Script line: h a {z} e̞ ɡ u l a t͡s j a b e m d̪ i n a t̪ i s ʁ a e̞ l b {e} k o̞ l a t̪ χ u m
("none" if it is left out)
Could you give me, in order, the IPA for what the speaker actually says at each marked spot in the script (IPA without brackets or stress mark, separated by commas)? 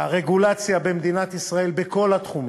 ʁ, e